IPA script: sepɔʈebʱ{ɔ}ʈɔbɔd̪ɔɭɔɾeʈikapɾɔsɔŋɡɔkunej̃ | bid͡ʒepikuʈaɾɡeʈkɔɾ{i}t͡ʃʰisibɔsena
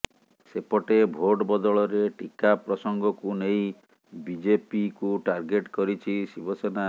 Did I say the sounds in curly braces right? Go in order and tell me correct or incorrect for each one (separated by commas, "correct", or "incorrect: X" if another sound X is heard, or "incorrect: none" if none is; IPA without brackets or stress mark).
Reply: incorrect: o, correct